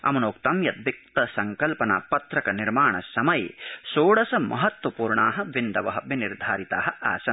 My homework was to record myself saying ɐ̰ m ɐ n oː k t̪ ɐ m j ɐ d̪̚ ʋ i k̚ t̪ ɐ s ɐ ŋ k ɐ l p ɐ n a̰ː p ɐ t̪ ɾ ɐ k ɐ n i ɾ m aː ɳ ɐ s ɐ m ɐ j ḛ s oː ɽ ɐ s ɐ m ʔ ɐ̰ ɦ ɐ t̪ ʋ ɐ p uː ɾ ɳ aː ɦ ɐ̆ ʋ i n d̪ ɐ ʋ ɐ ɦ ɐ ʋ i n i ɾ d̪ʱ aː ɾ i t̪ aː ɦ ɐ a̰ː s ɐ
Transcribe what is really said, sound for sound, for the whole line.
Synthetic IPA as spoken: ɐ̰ m ɐ n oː k t̪ ɐ m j ɐ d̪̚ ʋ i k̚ t̪ ɐ s ɐ ŋ k ɐ l p ɐ n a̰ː p ɐ t̪ ɾ ɐ k ɐ n i ɾ m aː ɳ ɐ s ɐ m ɐ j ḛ s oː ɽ ɐ s ɐ m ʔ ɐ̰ ɦ ɐ t̪ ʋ ɐ p uː ɾ ɳ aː ɦ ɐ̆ ʋ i n d̪ ɐ ʋ ɐ ɦ ɐ ʋ i n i ɾ d̪ʱ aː ɾ i t̪ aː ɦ ɐ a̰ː s ɐ